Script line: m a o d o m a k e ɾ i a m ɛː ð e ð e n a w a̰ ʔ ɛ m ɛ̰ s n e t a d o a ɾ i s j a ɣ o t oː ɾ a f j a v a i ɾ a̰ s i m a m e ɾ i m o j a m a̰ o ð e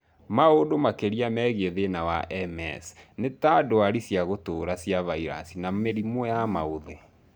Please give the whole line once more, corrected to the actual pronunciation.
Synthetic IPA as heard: m a o d o m a k e ɾ i a m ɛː ɣ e ð e n a w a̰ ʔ ɛ m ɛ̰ s n e t a d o a ɾ i s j a ɣ o t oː ɾ a s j a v a i ɾ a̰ s i n a m e ɾ i m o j a m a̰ o ð e